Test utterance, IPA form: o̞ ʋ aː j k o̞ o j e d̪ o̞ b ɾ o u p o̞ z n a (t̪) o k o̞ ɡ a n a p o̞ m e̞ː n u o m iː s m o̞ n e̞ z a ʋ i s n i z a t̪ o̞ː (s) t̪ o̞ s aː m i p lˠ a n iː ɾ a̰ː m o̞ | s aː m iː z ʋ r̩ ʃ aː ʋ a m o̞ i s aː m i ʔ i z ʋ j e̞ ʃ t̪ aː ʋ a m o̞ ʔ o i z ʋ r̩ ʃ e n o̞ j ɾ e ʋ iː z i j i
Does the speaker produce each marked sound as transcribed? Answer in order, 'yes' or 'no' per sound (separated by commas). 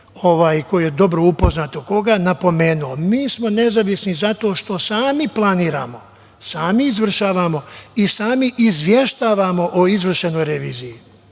yes, no